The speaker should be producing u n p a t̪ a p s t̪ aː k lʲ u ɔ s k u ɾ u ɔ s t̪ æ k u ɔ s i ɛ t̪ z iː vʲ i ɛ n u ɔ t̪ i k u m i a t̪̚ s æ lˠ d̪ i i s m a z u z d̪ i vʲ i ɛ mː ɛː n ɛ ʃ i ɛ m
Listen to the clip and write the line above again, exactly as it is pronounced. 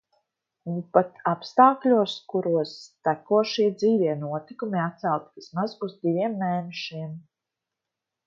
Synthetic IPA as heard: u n p a t̪ a p s t̪ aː k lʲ u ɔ s k u ɾ u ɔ s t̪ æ k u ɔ ʃ i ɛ d̪ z iː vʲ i ɛ n u ɔ t̪ i k u m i a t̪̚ s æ lˠ t̪ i i s m a z u z d̪ i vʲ i ɛ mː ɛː n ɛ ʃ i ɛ m